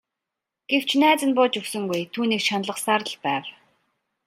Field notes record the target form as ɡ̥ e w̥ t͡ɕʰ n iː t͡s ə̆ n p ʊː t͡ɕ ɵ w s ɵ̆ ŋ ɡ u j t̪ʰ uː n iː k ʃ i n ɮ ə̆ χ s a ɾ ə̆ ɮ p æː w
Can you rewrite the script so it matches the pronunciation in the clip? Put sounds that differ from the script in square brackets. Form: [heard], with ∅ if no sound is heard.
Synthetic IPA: ɡ̥ e w̥ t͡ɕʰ n [æː] t͡s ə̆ n p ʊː t͡ɕ ɵ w s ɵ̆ ŋ ɡ u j t̪ʰ uː n iː k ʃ [a] n ɮ ə̆ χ s a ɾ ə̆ ɮ p æː w